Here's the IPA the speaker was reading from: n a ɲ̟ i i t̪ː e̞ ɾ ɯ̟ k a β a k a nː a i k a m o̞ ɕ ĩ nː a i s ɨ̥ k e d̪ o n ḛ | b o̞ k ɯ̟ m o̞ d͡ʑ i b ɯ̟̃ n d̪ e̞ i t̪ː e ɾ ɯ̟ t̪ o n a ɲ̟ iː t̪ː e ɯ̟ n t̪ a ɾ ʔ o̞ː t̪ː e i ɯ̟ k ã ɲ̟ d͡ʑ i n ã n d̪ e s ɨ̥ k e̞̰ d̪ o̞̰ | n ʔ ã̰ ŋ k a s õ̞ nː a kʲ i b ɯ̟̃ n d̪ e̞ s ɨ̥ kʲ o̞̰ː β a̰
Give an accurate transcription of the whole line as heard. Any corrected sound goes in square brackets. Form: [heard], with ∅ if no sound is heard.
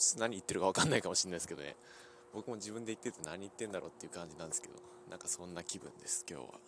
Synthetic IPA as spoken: n a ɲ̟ i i t̪ː e̞ ɾ ɯ̟ k a β a k a nː a i k a m o̞ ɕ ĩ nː a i s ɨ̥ k e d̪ o n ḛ | b o̞ k ɯ̟ m o̞ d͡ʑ i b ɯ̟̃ n d̪ e̞ i t̪ː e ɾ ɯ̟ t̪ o n a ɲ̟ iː t̪ː e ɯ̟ n [d̪] a ɾ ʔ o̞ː t̪ː e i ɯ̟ k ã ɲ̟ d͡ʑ i n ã n d̪ e s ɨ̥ k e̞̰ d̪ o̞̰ | n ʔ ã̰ ŋ k a s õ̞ nː a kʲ i b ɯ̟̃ n d̪ e̞ s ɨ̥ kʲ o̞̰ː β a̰